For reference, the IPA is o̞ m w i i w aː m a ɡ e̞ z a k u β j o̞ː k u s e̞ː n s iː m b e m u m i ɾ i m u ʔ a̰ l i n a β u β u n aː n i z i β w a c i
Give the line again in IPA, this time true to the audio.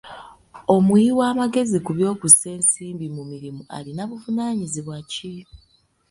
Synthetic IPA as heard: o̞ m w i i w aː m a ɡ e̞ z i k u β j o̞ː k u s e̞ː n s iː m b i m u m i ɾ i m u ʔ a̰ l i n a β u v u n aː ɲ i z i β w a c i